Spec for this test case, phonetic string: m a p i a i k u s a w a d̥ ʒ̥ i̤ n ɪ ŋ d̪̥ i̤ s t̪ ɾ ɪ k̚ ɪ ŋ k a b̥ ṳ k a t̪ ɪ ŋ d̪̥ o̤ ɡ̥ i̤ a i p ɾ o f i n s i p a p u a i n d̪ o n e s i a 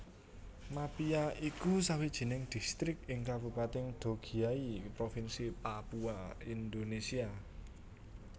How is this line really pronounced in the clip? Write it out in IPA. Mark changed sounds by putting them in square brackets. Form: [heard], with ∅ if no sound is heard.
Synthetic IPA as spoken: m a p i a i k u s a w [i] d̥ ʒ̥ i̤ n ɪ ŋ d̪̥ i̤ s t̪ ɾ ɪ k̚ ɪ ŋ k a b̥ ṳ [p] a t̪ ɪ ŋ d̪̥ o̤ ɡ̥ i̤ a i p ɾ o f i n s i p a p u a i n d̪ o n e s i a